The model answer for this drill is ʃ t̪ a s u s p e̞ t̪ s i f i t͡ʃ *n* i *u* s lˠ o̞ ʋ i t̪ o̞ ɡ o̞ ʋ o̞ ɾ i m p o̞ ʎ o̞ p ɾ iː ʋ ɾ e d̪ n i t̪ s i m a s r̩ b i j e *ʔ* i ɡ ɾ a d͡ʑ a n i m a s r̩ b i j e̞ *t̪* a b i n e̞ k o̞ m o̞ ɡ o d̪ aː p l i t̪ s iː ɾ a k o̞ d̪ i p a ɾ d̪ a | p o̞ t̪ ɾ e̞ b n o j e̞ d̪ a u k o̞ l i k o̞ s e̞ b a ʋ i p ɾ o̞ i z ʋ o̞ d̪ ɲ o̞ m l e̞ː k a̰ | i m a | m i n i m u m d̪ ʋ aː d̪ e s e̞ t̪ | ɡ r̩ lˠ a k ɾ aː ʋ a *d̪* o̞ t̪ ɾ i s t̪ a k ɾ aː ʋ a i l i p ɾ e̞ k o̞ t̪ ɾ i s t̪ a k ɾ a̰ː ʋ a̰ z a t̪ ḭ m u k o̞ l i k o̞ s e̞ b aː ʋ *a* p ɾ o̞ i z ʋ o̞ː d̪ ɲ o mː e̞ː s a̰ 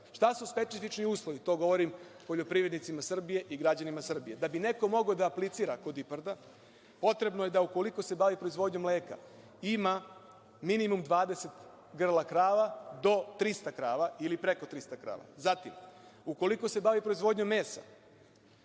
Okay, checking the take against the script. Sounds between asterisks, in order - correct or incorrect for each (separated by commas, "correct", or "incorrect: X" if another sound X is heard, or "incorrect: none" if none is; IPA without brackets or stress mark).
correct, incorrect: uː, correct, incorrect: d̪, correct, incorrect: i